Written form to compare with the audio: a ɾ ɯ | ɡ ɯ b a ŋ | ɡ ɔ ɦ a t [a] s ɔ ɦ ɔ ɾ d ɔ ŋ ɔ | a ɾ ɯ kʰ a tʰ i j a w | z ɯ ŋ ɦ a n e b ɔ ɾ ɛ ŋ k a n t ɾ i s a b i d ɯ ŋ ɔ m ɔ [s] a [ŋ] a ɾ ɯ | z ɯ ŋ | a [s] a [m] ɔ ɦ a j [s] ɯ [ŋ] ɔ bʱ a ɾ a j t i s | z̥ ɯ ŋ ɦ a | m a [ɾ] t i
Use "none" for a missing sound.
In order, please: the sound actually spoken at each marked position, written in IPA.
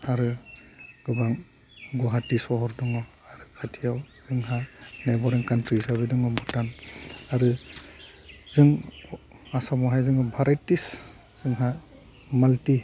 i, t, n, s, m, z, ŋ, l

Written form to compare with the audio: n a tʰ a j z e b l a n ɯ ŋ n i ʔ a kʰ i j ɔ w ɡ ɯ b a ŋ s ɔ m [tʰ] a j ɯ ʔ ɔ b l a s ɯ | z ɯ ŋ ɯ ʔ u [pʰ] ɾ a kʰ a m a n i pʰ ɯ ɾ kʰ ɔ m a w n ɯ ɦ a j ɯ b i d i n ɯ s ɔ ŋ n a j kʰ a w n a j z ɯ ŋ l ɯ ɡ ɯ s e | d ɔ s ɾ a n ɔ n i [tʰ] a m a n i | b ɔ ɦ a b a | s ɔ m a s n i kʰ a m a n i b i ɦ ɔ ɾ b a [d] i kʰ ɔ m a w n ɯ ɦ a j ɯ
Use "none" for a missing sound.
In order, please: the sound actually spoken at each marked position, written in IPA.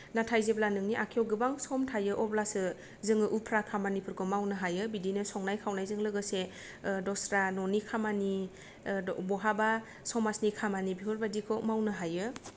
tʰ, pʰ, kʰ, d

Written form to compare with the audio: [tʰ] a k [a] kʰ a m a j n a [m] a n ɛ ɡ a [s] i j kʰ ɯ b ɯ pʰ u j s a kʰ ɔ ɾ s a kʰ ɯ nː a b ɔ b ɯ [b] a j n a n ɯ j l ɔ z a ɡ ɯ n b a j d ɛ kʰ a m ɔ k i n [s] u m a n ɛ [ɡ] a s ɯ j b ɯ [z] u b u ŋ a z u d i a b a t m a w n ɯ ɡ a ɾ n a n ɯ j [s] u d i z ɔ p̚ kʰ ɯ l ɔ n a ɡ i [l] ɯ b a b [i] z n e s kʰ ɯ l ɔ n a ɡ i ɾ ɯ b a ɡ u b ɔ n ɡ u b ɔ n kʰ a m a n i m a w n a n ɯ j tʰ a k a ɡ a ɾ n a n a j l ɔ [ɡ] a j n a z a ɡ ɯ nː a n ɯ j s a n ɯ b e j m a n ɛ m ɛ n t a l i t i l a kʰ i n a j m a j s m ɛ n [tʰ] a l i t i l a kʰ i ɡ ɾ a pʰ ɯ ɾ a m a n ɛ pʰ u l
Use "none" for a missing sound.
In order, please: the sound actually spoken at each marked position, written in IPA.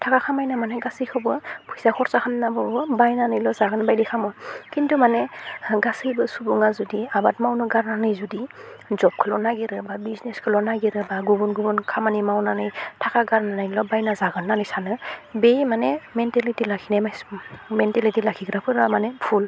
tʰ, a, m, s, b, t, ɡ, s, z, ɾ, i, b, t

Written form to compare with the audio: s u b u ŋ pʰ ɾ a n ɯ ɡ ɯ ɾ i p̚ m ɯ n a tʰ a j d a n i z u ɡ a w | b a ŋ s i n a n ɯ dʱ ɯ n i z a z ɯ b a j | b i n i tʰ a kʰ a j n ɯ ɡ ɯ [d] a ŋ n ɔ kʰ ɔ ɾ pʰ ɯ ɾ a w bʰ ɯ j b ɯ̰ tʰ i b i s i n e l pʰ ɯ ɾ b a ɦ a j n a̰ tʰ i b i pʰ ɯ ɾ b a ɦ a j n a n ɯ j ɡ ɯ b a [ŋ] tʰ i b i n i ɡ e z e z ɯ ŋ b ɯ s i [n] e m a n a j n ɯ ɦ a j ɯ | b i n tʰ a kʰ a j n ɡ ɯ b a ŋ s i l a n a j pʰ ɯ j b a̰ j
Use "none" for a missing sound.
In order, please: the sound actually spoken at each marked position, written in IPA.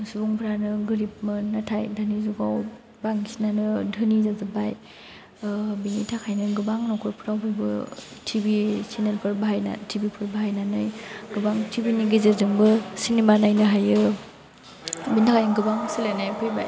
b, ŋ, n

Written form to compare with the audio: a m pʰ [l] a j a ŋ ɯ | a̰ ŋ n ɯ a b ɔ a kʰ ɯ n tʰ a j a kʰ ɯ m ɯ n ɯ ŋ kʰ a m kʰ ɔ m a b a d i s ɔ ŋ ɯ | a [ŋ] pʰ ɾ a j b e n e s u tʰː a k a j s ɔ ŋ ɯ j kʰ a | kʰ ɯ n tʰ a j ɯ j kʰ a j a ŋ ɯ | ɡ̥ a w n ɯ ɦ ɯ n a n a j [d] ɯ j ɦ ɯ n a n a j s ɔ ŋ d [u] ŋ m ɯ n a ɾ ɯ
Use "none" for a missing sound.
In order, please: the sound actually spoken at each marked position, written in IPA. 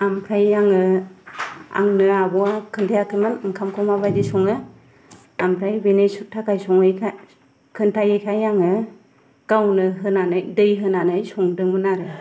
ɾ, m, d, ɯ

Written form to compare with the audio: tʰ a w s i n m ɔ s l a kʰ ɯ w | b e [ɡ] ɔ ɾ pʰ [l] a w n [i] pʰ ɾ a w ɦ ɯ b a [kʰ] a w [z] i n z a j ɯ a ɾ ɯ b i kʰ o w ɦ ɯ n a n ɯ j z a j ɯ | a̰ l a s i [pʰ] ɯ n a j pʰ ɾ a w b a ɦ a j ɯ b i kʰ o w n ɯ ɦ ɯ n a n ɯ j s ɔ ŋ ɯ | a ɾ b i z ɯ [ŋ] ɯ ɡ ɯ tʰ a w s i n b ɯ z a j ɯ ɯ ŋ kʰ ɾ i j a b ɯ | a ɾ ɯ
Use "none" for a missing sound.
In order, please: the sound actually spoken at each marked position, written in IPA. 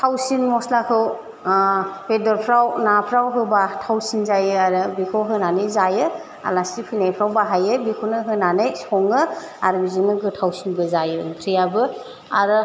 d, ɾ, a, tʰ, s, pʰ, n

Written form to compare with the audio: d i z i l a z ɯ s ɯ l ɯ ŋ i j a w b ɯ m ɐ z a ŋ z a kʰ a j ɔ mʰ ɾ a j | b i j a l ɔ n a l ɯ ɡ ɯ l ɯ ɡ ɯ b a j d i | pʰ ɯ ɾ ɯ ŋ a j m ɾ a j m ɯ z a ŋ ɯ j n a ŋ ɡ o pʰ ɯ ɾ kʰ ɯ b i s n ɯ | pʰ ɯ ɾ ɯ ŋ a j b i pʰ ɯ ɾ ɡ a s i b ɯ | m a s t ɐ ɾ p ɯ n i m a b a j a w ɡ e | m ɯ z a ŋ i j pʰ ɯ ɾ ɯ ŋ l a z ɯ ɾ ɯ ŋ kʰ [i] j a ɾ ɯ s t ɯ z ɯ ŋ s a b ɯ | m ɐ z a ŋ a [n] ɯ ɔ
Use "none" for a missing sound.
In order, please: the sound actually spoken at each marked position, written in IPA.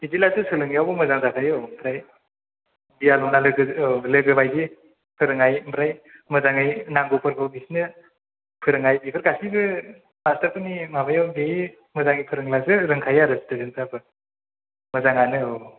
a, n

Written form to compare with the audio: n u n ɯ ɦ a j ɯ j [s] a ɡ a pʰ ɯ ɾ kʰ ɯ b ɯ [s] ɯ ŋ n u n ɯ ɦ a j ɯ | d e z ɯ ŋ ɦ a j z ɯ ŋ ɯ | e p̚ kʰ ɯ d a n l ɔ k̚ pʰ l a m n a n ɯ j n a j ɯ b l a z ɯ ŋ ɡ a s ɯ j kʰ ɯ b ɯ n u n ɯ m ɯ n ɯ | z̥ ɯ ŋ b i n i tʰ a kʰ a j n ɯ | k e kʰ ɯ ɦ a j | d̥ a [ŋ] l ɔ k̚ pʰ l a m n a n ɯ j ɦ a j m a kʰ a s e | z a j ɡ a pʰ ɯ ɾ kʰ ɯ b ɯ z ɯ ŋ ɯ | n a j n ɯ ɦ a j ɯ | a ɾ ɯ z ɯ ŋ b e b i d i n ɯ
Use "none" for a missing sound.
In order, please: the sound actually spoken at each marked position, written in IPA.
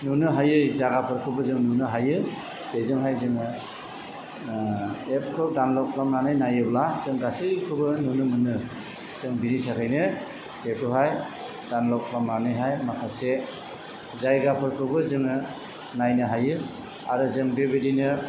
z, z, n

